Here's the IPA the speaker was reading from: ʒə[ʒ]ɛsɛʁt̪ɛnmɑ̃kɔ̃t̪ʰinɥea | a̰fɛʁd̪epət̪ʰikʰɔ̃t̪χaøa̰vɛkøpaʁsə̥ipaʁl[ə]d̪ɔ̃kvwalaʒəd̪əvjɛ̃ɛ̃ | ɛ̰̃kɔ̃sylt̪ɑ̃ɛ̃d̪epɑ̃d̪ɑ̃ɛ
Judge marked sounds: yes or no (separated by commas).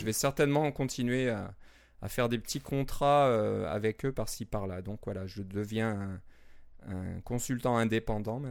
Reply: no, no